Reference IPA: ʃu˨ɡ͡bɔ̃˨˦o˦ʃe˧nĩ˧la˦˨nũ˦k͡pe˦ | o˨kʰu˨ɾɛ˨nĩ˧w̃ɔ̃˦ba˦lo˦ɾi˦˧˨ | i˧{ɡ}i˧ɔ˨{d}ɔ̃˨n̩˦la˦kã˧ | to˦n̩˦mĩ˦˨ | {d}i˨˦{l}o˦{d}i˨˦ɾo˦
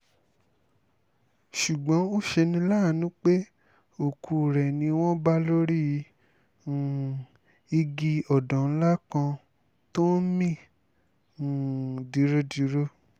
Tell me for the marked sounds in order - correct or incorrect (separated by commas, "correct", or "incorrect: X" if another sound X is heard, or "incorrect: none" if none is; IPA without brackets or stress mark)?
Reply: correct, correct, correct, incorrect: ɾ, correct